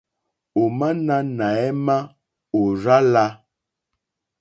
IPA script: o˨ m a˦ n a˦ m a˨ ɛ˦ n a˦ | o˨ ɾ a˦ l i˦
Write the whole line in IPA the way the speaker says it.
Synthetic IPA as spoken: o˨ m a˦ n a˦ n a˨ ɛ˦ m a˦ | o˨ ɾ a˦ l a˦